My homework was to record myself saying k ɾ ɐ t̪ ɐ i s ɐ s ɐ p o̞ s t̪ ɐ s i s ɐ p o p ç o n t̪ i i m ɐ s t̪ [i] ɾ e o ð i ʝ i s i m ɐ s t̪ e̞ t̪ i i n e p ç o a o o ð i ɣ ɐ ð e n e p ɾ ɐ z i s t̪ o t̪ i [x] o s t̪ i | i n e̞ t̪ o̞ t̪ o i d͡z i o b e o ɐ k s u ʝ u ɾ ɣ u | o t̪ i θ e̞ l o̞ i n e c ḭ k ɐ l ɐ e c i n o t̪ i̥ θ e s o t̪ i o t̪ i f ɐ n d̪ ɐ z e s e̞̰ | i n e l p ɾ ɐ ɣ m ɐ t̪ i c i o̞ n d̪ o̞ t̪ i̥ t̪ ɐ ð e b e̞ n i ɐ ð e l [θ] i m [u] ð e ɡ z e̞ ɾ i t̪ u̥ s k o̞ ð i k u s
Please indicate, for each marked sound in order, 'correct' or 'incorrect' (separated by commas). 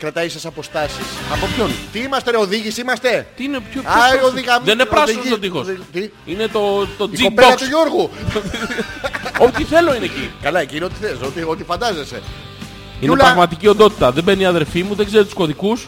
incorrect, correct, incorrect, correct